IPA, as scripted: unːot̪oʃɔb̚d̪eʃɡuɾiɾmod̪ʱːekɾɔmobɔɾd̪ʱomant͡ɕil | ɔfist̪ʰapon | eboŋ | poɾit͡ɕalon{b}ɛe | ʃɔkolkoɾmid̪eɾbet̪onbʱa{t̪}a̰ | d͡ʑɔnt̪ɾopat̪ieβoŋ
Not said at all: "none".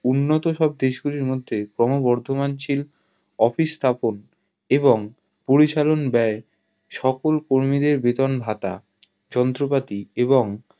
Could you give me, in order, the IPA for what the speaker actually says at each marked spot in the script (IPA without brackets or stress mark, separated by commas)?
b, t̪